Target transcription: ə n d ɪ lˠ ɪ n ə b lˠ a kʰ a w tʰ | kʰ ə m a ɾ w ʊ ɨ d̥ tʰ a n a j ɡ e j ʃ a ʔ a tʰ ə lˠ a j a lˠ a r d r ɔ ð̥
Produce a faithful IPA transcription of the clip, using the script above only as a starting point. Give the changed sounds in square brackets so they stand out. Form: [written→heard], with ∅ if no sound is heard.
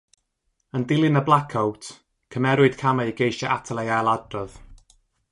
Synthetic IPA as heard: ə n d ɪ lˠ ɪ n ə b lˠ a kʰ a w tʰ | kʰ ə m [a→ɛ] ɾ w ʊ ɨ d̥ [tʰ→kʰ] a [n→m] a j ɡ e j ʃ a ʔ a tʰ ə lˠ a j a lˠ a [r→∅] d r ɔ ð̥